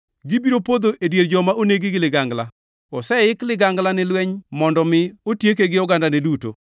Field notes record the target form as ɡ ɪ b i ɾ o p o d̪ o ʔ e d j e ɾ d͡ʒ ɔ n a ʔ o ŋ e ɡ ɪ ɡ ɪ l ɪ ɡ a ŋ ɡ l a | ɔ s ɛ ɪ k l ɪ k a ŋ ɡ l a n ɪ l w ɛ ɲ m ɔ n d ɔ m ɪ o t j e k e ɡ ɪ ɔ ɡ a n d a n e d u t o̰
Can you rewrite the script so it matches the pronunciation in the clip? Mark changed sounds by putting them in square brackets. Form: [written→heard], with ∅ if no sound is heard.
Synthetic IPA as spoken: ɡ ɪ b i ɾ o p o d̪ o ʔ e d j e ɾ d͡ʒ ɔ [n→m] a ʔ o [ŋ→n] e ɡ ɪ ɡ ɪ l ɪ ɡ a ŋ ɡ l a | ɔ s ɛ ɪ k l ɪ [k→ɡ] a ŋ ɡ l a n ɪ l w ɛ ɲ m ɔ n d ɔ m ɪ o t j e k e ɡ ɪ ɔ ɡ a n d a n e d u t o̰